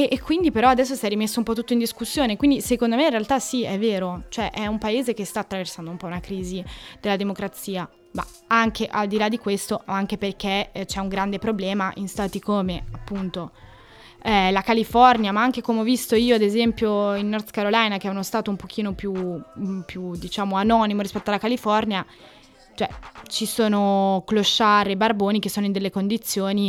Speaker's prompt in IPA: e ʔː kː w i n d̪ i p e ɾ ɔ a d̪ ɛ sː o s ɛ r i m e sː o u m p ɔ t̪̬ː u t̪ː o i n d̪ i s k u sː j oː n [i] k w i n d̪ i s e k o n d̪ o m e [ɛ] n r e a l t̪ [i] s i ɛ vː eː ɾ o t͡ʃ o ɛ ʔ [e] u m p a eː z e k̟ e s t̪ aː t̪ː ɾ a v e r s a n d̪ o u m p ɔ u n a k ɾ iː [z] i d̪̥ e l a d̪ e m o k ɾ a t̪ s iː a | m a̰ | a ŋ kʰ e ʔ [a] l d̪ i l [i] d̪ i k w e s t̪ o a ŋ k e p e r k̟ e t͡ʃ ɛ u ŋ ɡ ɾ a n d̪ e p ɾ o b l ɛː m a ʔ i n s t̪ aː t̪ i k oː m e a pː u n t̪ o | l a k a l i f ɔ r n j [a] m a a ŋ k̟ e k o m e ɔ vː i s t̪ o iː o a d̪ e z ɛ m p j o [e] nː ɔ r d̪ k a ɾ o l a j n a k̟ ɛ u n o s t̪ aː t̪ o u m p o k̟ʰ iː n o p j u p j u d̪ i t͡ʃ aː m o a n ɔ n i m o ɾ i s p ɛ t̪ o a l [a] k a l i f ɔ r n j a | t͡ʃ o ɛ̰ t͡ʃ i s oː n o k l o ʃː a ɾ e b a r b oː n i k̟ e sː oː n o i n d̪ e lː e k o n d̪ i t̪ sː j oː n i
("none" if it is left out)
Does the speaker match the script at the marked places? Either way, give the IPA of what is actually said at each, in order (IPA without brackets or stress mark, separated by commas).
e, i, a, ɛ, z, a, a, a, i, a